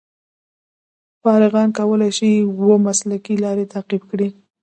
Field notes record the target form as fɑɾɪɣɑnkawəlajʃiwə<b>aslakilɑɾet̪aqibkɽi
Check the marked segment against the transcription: incorrect: m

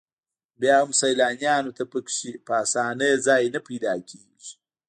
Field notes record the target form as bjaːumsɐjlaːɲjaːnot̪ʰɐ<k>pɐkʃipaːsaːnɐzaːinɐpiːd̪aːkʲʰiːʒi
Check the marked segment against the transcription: incorrect: none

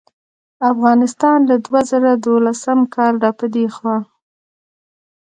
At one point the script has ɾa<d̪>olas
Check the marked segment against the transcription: correct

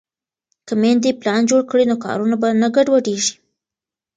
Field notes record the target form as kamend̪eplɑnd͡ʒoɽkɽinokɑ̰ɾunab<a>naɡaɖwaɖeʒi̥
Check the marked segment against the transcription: correct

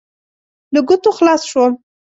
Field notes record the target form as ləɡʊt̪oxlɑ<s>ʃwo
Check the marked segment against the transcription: correct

